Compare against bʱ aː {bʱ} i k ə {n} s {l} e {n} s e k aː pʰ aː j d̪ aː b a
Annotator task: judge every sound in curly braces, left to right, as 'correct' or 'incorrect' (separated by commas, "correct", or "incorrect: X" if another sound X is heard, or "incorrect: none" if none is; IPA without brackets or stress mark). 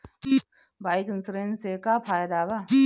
incorrect: none, correct, incorrect: ɾ, correct